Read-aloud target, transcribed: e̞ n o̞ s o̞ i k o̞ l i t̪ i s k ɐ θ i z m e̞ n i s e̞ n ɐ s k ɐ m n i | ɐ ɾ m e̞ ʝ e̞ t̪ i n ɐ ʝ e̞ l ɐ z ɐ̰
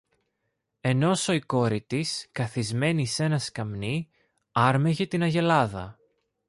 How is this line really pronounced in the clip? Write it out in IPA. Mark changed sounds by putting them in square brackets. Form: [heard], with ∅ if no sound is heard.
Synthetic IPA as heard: e̞ n o̞ s o̞ i k o̞ [ɾ] i t̪ i s k ɐ θ i z m e̞ n i s e̞ n ɐ s k ɐ m n i | ɐ ɾ m e̞ ʝ e̞ t̪ i n ɐ ʝ e̞ l ɐ [ð] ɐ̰